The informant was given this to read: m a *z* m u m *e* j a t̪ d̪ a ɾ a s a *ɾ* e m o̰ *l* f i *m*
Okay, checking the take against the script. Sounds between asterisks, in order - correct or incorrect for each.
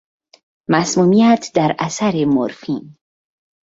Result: incorrect, incorrect, correct, incorrect, incorrect

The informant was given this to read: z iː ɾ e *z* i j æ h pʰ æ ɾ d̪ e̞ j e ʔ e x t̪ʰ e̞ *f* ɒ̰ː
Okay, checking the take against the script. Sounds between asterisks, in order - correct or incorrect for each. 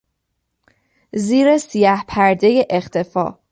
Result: incorrect, correct

